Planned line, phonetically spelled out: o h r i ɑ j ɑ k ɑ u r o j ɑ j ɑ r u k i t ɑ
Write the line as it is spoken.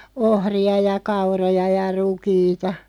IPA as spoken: o h r i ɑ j ɑ k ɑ u r o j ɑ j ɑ r u k iː t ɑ

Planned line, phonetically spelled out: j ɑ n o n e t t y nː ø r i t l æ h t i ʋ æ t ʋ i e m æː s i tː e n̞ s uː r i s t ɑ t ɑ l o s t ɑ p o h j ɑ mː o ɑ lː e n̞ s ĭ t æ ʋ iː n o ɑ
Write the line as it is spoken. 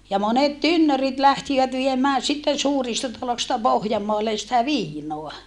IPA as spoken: j ɑ m o n e t t y nː ø r i t l æ h t i ʋ æ t ʋ i e m æː s i tː e n̞ s uː r i s t ɑ t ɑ l o s t ɑ p o h j ɑ mː o ɑ lː e n̞ s ĭ t æ ʋ iː n o ɑ

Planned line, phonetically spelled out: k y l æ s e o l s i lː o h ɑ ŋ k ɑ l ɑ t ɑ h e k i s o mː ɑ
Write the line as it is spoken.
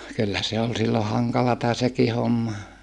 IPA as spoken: k y lː æ s e o l s i lː o h ɑ ŋ k ɑ l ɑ t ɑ s e k i h o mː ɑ

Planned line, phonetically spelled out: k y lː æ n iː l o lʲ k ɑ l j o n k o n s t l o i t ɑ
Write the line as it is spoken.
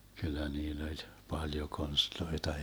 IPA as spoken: k y lː æ n iː lː o lʲ p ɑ l j o k o n s t l o i t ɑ

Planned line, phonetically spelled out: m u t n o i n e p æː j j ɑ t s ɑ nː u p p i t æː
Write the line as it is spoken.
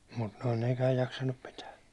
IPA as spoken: m u t n o i n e k æː j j ɑ k s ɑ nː u p p i t æː

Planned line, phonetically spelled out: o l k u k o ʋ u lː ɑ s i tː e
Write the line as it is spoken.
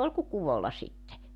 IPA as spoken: o l k u k u ʋ o lː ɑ s i tː e

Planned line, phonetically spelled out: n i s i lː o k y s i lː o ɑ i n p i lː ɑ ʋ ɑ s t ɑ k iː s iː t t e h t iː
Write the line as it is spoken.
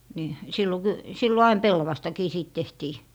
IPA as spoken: n i s i lː o k y s i lː o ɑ i n p e lː ɑ ʋ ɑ s t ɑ k iː s iː t t e h t iː

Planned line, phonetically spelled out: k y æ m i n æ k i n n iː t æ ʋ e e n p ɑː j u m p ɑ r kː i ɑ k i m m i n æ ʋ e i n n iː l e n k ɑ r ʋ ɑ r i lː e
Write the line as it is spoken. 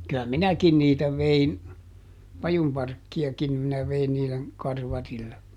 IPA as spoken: k y æ m i n æ k i n n iː t æ ʋ e i n p ɑ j u m p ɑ r kː i ɑ k i m m i n æ ʋ e i n n iː l e n k ɑ r ʋ ɑ r i lː e

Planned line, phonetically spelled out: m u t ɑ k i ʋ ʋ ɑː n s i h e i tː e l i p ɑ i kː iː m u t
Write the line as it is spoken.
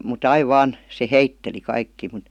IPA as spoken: m u t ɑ i ʋ ʋ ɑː n s e h e i tː e l i k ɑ i kː iː m u t

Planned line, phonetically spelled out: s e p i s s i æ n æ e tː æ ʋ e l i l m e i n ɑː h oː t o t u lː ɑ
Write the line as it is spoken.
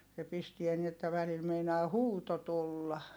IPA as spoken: s e p i s t i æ n i e tː æ ʋ æ l i l m e i n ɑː h uː t o t u lː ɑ

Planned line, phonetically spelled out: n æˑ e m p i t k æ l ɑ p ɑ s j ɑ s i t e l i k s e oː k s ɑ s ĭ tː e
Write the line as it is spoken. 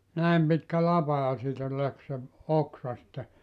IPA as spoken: n æˑ e m p i t k æ l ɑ p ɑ j ɑ s iː t æ l æ k s e o k s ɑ s ĭ tː e

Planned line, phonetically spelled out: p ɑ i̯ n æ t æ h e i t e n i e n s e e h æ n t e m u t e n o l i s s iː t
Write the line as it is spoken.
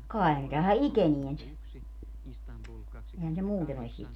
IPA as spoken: k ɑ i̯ n e t æ h æ i k e n i e n s e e h æ n s e m uː t e n o l i s s iː t

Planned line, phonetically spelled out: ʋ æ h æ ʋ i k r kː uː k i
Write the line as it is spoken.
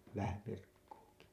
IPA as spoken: ʋ æ h æ ʋ i r kː uː k i

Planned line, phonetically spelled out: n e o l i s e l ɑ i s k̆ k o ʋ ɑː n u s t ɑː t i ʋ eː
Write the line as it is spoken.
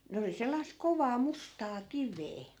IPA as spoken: n e o l i s e lː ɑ i s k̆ k o ʋ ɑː m u s t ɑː k i ʋ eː

